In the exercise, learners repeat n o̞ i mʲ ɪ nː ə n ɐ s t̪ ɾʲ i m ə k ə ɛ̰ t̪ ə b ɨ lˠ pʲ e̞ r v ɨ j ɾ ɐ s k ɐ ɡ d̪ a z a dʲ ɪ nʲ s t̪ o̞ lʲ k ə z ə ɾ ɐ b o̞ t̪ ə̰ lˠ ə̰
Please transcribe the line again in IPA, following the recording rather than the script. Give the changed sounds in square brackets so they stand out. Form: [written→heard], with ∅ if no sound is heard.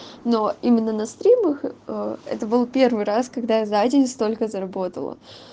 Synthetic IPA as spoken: n o̞ i mʲ ɪ nː ə n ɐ s t̪ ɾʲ i m ə [k→x] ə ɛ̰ t̪ ə b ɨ lˠ pʲ e̞ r v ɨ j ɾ [ɐ→a] s k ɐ ɡ d̪ a z a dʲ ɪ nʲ s t̪ o̞ lʲ k ə z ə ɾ ɐ b o̞ t̪ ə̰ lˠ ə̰

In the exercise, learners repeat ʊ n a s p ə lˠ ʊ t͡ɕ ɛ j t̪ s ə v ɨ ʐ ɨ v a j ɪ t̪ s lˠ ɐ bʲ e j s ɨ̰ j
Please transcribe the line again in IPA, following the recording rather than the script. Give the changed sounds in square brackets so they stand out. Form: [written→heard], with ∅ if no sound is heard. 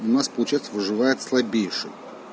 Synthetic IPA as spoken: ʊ n a s p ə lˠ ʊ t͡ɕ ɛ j t̪ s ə v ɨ ʐ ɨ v a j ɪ t̪ s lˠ ɐ bʲ e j [s→ʂ] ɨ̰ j

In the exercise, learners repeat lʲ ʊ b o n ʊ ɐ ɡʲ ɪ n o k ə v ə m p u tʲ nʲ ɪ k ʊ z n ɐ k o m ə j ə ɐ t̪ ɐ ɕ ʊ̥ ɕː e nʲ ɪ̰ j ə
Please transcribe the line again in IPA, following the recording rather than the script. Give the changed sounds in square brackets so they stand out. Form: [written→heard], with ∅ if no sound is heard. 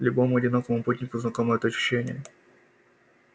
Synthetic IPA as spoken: lʲ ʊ b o [n→m] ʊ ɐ [ɡʲ→dʲ] ɪ n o k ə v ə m p u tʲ nʲ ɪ k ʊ z n ɐ k o m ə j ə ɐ t̪ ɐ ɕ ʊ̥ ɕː e nʲ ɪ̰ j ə

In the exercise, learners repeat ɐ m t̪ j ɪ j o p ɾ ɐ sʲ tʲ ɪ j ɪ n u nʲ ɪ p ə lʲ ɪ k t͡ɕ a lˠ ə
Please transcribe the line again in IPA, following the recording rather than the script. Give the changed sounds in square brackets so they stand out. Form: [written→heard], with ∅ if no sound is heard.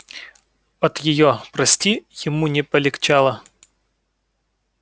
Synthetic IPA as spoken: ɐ [m→∅] t̪ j ɪ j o p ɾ ɐ sʲ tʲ [ɪ→i] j ɪ [n→m] u nʲ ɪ p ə lʲ ɪ k t͡ɕ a lˠ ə

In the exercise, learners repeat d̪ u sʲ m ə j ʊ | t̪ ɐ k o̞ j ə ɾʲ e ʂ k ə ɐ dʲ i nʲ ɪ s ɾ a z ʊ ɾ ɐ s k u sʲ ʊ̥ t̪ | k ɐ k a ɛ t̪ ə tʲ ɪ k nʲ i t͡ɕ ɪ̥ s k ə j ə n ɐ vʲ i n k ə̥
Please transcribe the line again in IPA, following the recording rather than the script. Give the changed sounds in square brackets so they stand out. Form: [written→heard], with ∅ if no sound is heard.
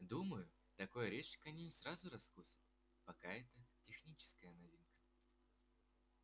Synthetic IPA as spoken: d̪ u [sʲ→∅] m ə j ʊ | t̪ ɐ k o̞ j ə ɾʲ e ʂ k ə ɐ [dʲ→nʲ] i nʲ ɪ s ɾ a z ʊ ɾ ɐ s k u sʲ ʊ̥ t̪ | [k→p] ɐ k a ɛ t̪ ə tʲ ɪ [k→x] nʲ i t͡ɕ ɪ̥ s k ə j ə n ɐ vʲ i n k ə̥

